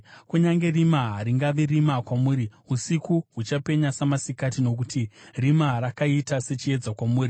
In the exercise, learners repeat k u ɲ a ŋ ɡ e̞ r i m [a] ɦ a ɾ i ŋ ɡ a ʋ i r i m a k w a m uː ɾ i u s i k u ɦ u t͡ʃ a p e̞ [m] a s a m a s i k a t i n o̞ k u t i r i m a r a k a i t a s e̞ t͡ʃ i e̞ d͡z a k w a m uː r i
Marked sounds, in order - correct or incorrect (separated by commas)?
correct, incorrect